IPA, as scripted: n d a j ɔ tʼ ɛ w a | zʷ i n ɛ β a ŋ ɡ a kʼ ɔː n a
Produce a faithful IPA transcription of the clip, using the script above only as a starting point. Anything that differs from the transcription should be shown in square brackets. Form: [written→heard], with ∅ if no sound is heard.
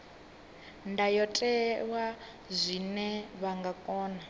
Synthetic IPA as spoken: n d a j ɔ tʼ ɛ w a | zʷ i n ɛ β a ŋ ɡ a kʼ ɔː n a